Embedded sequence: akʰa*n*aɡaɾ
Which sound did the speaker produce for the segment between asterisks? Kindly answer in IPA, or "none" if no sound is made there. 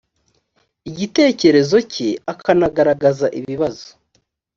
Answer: n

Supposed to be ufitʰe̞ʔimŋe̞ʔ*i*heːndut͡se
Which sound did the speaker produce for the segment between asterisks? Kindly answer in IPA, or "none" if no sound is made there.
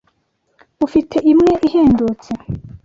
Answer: i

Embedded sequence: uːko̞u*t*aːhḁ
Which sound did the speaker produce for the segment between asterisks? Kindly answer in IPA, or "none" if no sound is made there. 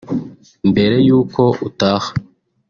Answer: t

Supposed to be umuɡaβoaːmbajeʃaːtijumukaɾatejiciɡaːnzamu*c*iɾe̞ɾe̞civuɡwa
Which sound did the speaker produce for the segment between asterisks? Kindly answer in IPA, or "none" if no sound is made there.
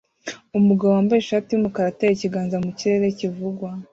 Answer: c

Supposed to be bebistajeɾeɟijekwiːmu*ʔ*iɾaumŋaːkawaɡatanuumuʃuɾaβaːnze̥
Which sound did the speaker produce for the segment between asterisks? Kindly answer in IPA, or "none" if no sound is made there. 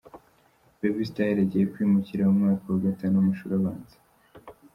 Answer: c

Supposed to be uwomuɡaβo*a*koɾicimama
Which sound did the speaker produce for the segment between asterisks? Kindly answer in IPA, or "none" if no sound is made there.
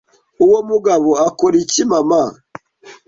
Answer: a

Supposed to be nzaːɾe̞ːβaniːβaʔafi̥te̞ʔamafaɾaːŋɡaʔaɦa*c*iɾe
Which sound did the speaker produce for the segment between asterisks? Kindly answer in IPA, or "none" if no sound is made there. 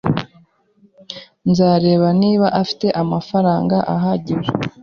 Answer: ɟ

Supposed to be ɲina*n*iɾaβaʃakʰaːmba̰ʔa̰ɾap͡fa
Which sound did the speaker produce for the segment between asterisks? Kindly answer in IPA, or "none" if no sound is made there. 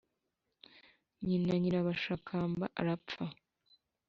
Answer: ɲ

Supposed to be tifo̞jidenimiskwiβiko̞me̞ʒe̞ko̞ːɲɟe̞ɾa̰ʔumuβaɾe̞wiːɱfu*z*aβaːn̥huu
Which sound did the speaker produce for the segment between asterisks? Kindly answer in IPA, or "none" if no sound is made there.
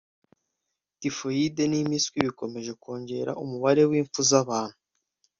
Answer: z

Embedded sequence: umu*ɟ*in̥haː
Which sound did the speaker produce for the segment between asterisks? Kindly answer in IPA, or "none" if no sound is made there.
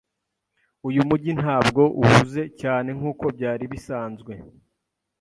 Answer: ɟ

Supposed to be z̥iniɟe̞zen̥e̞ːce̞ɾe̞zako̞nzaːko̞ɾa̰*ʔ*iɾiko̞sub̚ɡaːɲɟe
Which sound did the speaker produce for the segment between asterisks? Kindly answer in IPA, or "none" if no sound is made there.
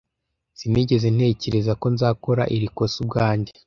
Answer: ʔ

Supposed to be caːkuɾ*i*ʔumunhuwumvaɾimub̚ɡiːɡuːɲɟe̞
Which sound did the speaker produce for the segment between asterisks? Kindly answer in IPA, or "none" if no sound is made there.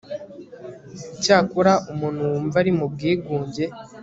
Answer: a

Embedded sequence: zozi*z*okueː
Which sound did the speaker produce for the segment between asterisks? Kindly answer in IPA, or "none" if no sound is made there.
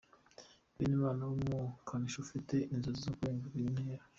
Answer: z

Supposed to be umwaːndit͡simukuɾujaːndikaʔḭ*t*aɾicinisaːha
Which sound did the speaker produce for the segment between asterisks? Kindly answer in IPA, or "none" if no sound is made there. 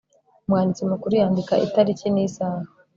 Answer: t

